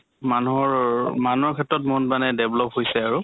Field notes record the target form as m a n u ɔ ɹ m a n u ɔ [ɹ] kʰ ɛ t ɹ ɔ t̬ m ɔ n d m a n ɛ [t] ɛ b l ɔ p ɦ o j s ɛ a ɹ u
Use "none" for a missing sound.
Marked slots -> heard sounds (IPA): ɹ, d

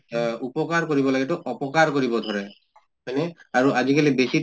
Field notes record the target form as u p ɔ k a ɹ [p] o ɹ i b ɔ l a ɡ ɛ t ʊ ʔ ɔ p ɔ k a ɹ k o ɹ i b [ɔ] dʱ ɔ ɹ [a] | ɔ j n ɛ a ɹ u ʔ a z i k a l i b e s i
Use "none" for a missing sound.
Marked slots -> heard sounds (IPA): k, ɔ, ɛ

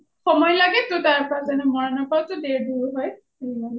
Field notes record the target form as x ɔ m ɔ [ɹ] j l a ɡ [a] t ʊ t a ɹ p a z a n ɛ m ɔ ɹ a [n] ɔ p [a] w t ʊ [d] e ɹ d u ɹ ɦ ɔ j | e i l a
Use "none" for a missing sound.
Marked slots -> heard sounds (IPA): none, ɛ, n, a, d

